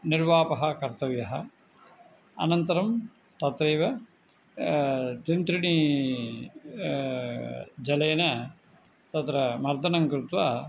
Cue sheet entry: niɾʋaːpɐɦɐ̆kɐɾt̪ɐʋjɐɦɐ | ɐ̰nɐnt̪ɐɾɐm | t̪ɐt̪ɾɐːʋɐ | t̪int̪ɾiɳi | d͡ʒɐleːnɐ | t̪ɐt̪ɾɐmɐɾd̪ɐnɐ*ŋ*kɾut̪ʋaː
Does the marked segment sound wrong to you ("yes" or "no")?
no